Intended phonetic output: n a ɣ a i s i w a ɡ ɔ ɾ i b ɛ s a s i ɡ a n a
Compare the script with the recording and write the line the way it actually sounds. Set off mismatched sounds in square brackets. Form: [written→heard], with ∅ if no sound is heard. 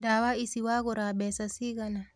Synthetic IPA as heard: [n→d] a [ɣ→w] a i s i w a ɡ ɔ ɾ [i→a] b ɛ s a s i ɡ a n a